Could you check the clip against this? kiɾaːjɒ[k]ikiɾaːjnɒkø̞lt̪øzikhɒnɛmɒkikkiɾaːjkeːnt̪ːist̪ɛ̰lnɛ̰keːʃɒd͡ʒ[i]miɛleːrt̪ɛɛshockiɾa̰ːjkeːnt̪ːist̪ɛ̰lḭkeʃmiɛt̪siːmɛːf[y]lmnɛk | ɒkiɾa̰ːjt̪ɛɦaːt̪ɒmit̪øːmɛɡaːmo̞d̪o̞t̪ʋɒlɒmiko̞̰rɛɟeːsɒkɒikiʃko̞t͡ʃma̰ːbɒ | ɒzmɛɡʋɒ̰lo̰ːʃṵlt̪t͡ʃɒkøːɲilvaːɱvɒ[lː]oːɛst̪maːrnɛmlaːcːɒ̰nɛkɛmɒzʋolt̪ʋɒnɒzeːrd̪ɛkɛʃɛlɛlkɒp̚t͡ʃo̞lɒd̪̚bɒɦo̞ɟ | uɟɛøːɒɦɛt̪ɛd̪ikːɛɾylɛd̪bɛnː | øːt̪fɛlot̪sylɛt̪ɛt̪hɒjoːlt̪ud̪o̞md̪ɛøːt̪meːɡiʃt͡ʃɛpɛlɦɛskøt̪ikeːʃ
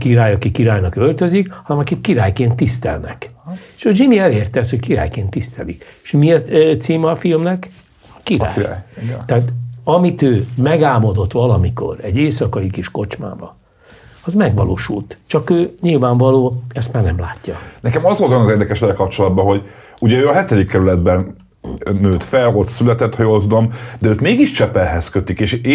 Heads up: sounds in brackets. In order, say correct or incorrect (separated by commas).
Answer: correct, correct, incorrect, incorrect